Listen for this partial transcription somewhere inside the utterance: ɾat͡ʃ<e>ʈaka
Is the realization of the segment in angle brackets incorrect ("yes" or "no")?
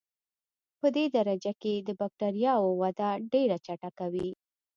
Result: yes